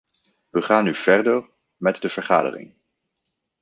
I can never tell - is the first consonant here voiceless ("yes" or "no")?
no